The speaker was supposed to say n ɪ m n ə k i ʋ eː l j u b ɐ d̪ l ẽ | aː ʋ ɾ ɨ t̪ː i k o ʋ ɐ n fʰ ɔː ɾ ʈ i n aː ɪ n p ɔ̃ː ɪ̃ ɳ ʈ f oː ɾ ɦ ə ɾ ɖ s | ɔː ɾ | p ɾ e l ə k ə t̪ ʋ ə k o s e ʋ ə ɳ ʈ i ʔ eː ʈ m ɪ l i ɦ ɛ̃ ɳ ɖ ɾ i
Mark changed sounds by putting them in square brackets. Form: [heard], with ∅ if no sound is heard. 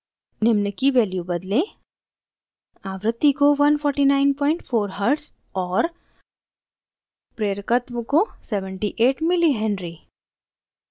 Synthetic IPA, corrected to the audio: n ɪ m n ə k i ʋ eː l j u b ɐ d̪ l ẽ | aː ʋ ɾ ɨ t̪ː i k o ʋ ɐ n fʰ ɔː ɾ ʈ i n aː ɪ n p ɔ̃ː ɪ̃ ɳ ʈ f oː ɾ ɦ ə ɾ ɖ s | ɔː ɾ | p ɾ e [ɾ] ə k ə t̪ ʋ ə k o s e ʋ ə ɳ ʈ i ʔ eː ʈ m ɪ l i ɦ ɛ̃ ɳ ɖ ɾ i